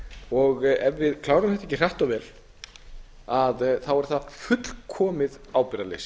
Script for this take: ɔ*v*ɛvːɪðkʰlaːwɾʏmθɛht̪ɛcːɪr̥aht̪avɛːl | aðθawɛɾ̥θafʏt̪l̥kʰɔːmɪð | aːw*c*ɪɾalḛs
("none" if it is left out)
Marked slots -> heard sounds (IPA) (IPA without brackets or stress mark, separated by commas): ɣ, p